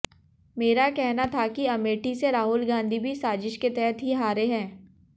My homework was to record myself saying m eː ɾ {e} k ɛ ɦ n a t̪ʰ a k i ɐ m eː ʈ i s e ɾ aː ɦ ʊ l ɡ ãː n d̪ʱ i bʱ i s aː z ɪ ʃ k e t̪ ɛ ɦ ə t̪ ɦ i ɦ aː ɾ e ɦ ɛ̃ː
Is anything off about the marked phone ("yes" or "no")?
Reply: yes